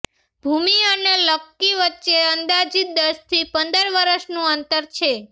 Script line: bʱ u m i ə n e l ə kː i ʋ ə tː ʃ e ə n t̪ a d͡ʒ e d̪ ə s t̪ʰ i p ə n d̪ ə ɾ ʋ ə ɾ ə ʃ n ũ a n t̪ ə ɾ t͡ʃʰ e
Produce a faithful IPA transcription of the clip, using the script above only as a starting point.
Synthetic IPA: bʱ u m i ə n e l ə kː i ʋ ə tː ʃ e ə n d̪ a d͡ʒ i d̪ ə s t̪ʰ i p ə n d̪ ə ɾ ʋ ə ɾ ə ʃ n ũ ə n t̪ ə ɾ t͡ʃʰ e